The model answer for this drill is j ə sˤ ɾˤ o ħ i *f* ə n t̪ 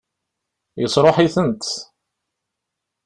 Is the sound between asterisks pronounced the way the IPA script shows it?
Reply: no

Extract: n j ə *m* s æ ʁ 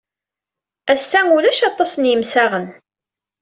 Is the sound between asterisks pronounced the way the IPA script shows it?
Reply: yes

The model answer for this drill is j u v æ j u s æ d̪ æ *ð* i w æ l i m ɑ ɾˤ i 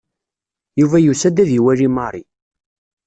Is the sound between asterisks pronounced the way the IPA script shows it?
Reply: yes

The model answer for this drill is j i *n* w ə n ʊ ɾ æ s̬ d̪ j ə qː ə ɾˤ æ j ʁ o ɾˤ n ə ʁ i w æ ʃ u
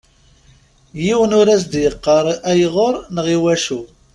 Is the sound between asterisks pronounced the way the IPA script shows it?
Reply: no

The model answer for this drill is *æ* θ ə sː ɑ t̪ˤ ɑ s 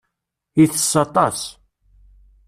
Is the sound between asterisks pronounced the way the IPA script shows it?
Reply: no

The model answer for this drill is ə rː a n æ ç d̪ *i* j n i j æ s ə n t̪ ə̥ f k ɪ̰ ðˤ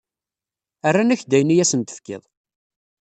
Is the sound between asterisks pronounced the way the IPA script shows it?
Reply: no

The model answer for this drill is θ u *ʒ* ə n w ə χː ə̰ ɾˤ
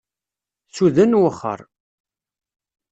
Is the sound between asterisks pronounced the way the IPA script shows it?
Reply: no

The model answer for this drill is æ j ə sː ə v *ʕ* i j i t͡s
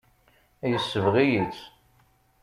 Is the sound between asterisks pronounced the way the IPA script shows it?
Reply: no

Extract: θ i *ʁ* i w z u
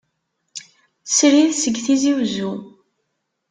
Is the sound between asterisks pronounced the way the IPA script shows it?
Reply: no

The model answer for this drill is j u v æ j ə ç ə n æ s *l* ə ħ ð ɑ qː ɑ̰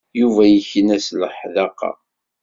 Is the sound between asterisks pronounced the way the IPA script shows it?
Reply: yes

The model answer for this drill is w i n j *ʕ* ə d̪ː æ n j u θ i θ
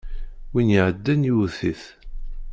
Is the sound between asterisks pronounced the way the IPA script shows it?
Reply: yes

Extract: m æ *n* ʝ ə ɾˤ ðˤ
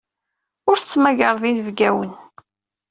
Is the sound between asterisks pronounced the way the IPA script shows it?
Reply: no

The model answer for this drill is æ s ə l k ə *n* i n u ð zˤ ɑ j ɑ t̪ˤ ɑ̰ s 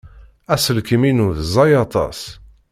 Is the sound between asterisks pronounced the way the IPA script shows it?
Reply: no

